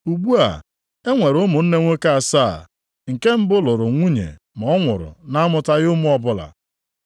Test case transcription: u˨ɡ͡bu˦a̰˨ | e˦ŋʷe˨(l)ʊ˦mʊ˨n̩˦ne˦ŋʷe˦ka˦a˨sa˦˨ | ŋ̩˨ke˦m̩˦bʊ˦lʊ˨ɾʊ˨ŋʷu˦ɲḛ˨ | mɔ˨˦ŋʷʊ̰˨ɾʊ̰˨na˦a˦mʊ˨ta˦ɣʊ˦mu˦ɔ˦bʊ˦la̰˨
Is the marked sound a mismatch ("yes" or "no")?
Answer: yes